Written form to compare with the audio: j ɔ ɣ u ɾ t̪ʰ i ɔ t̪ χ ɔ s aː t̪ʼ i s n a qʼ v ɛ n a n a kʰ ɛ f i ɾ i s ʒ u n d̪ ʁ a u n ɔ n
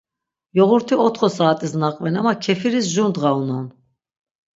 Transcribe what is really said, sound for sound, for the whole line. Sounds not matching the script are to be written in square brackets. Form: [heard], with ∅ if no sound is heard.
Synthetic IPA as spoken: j ɔ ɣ u ɾ t̪ʰ i ɔ t̪ χ ɔ s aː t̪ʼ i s n a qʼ v ɛ n a [m] a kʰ ɛ f i ɾ i s ʒ u n d̪ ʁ a u n ɔ n